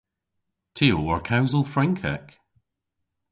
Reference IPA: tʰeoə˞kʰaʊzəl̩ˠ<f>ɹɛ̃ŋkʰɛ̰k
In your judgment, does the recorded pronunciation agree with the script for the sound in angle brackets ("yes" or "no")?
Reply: yes